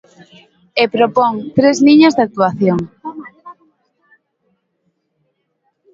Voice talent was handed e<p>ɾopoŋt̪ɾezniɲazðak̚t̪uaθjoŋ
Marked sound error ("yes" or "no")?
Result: no